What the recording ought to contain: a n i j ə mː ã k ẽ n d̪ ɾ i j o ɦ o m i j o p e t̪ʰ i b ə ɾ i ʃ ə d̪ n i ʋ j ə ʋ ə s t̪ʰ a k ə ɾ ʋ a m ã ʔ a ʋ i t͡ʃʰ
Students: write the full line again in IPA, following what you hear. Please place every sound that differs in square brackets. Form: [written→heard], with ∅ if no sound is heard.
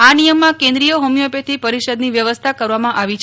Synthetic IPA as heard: a n i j ə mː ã k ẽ n d̪ ɾ i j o ɦ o m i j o p e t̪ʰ i [b→p] ə ɾ i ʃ ə d̪ n i ʋ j ə ʋ ə s t̪ʰ a k ə ɾ ʋ a m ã ʔ a ʋ i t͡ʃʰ